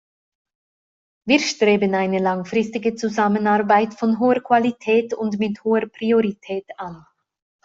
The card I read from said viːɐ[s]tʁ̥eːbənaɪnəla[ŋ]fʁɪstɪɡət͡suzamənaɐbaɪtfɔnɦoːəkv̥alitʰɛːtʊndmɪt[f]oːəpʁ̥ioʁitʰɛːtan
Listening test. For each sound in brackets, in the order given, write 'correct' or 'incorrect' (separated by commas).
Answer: incorrect, correct, incorrect